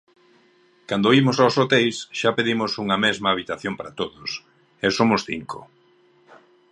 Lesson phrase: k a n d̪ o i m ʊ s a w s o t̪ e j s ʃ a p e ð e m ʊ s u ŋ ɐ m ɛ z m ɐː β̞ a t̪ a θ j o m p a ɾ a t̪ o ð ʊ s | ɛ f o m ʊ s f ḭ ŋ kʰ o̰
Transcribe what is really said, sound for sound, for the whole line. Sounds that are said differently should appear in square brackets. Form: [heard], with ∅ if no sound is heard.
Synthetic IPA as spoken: k a n d̪ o i m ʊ s a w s o t̪ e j s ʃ a p e ð [i] m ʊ s u ŋ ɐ m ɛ z m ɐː β̞ [i] t̪ a θ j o m p a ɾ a t̪ o ð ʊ s | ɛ [s] o m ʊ s [θ] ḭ ŋ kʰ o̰